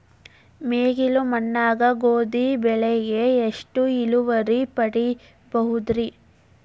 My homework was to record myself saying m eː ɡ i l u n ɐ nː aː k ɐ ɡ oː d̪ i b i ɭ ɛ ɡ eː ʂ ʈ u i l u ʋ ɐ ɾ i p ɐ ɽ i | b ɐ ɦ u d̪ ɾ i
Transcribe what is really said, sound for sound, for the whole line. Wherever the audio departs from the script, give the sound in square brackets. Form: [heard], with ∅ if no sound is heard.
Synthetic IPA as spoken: m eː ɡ i l u [m] ɐ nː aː [ɡ] ɐ ɡ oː d̪ i b [ɛ] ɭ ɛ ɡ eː ʂ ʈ u i l u ʋ ɐ ɾ i p ɐ ɽ i | b ɐ ɦ u d̪ ɾ i